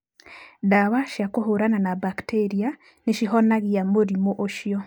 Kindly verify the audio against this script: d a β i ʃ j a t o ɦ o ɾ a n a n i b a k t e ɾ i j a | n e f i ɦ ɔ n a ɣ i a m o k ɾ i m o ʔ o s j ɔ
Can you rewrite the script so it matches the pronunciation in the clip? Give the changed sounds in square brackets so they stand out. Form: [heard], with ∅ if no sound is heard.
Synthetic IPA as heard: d a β [a] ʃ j a [k] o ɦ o ɾ a n a n [a] b a k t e ɾ i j a | n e [ʃ] i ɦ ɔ n a ɣ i a m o [∅] ɾ i m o ʔ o [ʃ] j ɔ